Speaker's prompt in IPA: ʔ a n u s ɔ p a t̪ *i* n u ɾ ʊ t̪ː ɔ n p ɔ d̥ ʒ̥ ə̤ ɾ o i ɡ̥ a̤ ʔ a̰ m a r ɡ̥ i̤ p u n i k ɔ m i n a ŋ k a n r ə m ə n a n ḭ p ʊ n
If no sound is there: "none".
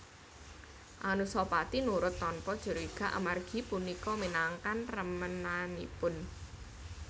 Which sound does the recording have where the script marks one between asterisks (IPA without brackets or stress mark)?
i